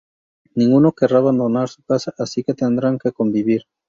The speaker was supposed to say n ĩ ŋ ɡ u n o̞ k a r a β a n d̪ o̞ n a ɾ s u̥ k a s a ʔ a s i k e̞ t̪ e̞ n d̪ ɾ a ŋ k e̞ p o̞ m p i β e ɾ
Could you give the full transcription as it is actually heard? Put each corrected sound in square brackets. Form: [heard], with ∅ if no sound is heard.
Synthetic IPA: n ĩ ŋ ɡ u n o̞ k [e] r a β a n d̪ o̞ n a ɾ s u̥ k a s a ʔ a s i k e̞ t̪ e̞ n d̪ ɾ a ŋ k e̞ [k] o̞ m [b] i β [i] ɾ